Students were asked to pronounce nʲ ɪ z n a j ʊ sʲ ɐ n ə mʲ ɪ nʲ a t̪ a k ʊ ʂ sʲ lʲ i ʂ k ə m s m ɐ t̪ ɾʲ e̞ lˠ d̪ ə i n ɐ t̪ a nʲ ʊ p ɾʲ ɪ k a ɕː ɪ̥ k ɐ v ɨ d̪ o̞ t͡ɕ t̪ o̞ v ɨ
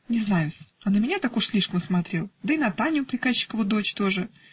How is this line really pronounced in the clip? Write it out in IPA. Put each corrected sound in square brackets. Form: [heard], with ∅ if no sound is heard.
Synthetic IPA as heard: nʲ ɪ z n a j ʊ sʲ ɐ n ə mʲ ɪ nʲ a t̪ a k ʊ ʂ sʲ lʲ i ʂ k ə m s m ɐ t̪ ɾʲ e̞ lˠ d̪ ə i n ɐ t̪ a nʲ ʊ p ɾʲ ɪ k a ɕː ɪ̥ k [ə] v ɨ d̪ o̞ t͡ɕ t̪ o̞ [ʐ] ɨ